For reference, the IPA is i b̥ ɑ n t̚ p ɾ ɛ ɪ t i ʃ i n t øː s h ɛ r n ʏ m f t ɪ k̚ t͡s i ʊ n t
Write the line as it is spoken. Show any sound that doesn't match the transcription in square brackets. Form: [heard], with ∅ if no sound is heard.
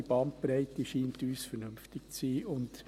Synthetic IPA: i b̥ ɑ n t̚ p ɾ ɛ ɪ t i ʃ [iː] n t [yː] s [f] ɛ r n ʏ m f t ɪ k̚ t͡s [iː] ʊ n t